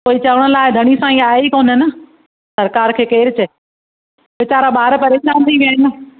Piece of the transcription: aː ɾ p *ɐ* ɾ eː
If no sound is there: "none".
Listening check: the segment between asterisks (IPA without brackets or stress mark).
ɐ